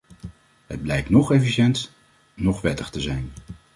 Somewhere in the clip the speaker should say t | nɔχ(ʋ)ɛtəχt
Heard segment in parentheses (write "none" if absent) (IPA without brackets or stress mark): ʋ